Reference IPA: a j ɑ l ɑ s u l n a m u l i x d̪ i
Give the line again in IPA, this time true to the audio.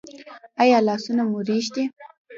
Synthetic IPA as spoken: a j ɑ l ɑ s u n a m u ɾ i ʃ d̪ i